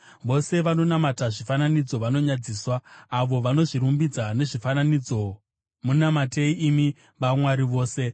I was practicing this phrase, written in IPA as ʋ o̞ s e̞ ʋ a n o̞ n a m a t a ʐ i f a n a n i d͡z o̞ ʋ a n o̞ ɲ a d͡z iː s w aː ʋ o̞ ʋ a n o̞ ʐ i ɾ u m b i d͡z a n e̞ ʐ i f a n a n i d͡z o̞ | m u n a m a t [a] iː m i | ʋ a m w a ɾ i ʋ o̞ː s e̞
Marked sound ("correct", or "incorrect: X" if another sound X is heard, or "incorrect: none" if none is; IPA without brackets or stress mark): incorrect: e